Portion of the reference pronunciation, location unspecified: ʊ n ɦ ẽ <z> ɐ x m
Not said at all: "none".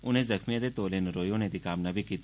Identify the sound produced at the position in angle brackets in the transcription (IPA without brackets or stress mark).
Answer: z